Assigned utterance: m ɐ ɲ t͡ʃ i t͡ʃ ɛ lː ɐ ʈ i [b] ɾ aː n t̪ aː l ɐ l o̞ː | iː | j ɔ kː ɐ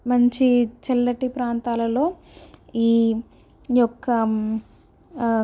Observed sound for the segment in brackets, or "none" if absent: p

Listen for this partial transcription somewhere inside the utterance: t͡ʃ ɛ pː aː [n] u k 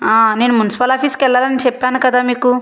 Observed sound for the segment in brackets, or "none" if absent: n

